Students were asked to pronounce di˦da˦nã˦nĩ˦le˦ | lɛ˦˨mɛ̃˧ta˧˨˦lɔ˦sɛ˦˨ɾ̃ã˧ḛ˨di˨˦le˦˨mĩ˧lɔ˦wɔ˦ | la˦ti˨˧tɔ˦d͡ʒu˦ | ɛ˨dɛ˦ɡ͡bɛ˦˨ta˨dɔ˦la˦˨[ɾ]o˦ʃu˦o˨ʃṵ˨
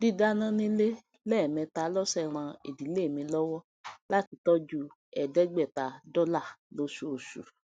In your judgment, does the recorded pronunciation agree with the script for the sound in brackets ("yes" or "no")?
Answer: no